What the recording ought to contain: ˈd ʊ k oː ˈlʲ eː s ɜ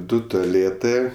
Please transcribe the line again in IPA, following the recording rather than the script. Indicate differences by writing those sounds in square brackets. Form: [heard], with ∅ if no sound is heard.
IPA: ˈd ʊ [t] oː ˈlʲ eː [t] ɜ